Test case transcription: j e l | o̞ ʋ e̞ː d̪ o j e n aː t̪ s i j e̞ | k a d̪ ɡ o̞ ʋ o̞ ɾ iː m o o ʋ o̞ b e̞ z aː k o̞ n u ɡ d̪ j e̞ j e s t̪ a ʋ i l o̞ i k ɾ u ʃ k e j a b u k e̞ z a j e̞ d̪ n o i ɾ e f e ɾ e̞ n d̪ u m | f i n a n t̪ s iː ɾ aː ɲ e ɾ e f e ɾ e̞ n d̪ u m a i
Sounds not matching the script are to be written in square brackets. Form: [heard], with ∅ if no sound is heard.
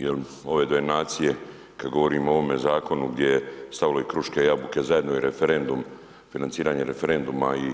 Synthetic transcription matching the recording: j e l | o̞ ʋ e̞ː d̪ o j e n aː t̪ s i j e̞ | k a d̪ ɡ o̞ ʋ o̞ ɾ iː m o o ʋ o̞ [m] e̞ z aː k o̞ n u ɡ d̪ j e̞ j e s t̪ a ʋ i l o̞ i k ɾ u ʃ k e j a b u k e̞ z a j e̞ d̪ n o i ɾ e f e ɾ e̞ n d̪ u m | f i n a n t̪ s iː ɾ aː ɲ e ɾ e f e ɾ e̞ n d̪ u m a i